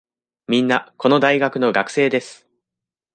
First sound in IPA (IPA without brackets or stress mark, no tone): mʲ